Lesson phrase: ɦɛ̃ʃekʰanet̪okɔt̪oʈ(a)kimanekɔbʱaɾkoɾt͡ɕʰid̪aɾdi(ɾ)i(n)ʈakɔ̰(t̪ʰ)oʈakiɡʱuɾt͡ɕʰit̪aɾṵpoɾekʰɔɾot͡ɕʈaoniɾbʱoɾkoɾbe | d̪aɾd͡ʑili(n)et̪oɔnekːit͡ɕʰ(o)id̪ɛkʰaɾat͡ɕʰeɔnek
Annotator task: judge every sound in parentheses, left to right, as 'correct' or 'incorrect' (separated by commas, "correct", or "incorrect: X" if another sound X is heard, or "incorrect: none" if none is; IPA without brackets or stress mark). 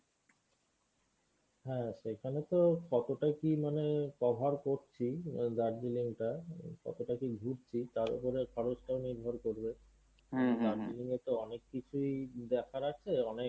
correct, incorrect: l, incorrect: ŋ, incorrect: t̪, incorrect: ŋ, incorrect: u